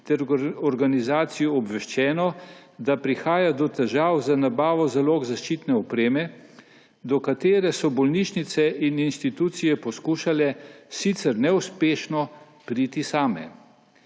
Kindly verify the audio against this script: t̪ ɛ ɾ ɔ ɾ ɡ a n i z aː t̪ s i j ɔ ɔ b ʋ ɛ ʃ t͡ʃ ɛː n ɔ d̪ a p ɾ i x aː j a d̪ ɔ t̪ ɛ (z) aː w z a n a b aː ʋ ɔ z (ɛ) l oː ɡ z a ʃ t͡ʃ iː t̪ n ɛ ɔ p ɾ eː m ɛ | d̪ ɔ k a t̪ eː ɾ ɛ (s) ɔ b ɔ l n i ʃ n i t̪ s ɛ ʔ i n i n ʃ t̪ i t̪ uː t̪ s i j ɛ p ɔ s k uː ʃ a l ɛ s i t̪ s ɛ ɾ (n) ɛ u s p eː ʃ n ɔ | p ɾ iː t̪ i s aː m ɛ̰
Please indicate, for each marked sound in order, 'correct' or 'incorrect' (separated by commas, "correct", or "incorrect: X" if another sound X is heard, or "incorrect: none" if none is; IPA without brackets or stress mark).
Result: incorrect: ʒ, incorrect: a, correct, correct